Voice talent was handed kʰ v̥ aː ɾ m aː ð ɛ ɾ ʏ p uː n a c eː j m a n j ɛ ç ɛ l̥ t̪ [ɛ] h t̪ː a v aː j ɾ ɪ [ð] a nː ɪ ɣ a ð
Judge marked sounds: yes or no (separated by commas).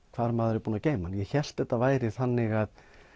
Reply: yes, no